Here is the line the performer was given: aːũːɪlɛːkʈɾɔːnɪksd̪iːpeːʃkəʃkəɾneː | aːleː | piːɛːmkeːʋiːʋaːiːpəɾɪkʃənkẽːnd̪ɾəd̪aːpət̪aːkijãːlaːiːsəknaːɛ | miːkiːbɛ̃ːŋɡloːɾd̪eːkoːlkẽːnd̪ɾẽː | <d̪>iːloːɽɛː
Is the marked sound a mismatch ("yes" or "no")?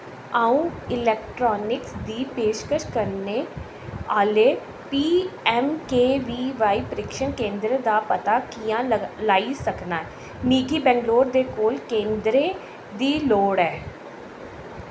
no